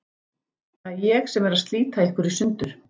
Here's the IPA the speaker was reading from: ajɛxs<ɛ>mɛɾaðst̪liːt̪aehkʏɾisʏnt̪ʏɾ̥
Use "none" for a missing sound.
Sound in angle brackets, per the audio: ɛ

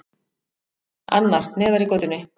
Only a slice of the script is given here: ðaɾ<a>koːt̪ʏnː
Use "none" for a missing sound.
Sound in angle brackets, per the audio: i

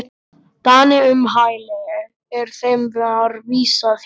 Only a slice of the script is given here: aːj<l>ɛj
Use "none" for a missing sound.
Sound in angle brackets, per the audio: l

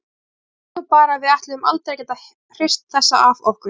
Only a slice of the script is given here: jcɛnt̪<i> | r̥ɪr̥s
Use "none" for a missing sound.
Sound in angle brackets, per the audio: a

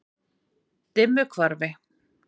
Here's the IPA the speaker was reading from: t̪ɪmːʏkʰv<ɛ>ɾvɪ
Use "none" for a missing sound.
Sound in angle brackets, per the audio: a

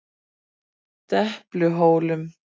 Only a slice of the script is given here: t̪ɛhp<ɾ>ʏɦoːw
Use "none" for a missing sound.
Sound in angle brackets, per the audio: l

